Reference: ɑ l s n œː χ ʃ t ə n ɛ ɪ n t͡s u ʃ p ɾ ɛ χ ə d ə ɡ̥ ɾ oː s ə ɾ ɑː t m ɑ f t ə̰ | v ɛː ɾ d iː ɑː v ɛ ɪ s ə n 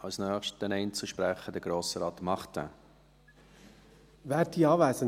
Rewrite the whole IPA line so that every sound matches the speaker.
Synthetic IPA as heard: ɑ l s n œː χ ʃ t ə n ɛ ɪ n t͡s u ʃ p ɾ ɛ χ ə d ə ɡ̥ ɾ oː s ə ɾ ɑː t m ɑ χ t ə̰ | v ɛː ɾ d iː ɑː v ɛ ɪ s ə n